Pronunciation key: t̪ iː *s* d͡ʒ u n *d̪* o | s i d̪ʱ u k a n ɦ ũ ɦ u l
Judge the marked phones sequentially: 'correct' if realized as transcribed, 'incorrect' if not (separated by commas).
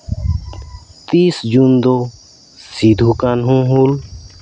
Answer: correct, correct